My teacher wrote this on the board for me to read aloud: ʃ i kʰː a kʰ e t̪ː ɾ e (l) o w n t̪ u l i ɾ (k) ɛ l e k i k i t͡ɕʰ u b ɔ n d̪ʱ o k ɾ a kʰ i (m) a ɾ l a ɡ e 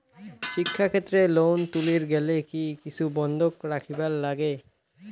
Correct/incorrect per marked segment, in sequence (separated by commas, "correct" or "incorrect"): correct, incorrect, incorrect